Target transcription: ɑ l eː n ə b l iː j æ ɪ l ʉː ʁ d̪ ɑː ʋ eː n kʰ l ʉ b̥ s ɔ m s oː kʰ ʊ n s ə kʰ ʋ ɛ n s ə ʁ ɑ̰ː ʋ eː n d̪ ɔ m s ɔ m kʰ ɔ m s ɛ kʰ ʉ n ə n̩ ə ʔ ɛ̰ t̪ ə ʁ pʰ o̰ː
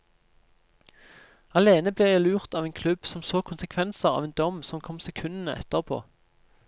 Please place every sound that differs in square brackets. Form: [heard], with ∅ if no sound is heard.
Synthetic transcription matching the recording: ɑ l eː n ə b l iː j æ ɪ l ʉː ʁ [t̪] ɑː ʋ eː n kʰ l ʉ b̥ s ɔ m s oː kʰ ʊ n s ə kʰ ʋ ɛ n s ə ʁ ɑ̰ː ʋ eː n d̪ ɔ m s ɔ m kʰ ɔ m s ɛ kʰ ʉ n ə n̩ ə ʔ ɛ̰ t̪ ə ʁ pʰ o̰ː